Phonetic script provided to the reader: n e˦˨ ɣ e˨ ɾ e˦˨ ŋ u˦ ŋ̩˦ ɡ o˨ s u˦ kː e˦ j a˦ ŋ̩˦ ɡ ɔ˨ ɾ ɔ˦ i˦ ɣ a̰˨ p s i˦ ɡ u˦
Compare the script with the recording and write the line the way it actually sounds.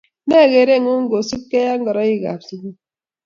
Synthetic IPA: n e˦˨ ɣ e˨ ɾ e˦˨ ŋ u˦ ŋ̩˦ ɡ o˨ s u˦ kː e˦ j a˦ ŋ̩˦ ɡ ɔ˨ ɾ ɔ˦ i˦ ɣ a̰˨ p s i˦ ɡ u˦